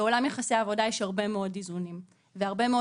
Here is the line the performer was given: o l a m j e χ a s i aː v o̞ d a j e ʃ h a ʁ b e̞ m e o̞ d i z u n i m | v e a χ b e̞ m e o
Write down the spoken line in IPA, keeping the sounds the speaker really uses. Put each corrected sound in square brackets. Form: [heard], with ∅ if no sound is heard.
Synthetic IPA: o l a m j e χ a s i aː v o̞ d a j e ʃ h a ʁ b e̞ m e o̞ d i z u n i m | v e a [ʁ] b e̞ m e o